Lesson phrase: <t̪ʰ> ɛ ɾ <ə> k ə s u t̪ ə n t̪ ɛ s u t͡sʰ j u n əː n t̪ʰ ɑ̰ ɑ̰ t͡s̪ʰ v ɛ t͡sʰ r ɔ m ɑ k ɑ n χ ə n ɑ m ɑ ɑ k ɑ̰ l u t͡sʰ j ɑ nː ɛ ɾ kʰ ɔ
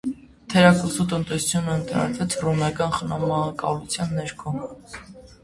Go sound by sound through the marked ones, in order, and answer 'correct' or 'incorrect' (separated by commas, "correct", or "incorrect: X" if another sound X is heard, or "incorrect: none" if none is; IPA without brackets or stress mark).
correct, incorrect: ɑ